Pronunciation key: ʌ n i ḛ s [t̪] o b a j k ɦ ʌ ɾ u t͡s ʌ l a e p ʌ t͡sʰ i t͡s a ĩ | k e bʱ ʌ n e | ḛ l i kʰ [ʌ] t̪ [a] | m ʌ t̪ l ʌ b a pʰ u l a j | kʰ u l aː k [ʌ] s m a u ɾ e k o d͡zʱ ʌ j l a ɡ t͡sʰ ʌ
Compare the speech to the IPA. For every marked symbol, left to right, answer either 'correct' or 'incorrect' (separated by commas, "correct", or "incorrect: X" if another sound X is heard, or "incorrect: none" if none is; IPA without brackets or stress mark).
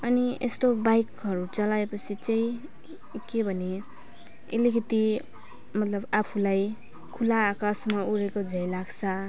correct, correct, incorrect: i, incorrect: a